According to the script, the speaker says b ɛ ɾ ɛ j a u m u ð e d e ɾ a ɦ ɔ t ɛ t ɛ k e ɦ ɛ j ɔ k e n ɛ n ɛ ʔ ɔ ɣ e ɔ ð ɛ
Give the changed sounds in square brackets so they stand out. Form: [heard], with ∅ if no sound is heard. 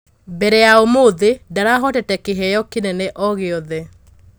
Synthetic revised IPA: b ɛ ɾ ɛ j a [o] m [o] ð e d [a] ɾ a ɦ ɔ t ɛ t ɛ k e ɦ ɛ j ɔ k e n ɛ n ɛ ʔ ɔ ɣ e ɔ ð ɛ